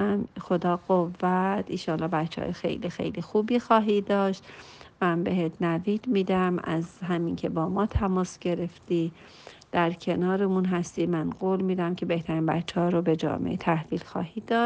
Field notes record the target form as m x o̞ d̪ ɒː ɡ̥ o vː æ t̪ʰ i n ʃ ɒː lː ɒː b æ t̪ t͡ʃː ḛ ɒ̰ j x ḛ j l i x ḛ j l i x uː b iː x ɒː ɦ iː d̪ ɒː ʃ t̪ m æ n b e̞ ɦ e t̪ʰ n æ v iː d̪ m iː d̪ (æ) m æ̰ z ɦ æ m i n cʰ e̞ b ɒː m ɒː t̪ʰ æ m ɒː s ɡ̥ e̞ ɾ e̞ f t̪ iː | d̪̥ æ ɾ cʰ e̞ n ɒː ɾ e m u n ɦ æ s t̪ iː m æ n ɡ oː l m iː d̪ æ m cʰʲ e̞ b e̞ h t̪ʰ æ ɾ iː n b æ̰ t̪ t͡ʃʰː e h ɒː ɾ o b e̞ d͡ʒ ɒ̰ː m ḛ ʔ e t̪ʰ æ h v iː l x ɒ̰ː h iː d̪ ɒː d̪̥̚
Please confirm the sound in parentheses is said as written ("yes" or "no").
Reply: yes